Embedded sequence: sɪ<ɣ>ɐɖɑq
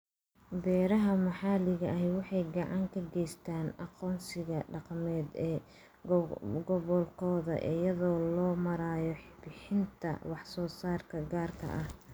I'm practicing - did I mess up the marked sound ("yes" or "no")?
no